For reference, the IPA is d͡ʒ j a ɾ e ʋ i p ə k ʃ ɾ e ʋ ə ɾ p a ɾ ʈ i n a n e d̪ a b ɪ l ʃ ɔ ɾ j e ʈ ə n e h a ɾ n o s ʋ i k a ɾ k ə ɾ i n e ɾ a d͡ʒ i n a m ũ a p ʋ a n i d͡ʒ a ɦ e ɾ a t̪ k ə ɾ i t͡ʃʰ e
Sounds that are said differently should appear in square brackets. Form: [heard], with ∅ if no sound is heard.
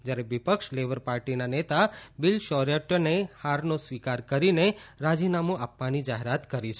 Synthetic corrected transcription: d͡ʒ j a ɾ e ʋ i p ə k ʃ [l] e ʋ ə ɾ p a ɾ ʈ i n a n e [t̪] a b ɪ l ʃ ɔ ɾ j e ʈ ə n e h a ɾ n o s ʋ i k a ɾ k ə ɾ i n e ɾ a d͡ʒ i n a m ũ a p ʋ a n i d͡ʒ a ɦ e ɾ a t̪ k ə ɾ i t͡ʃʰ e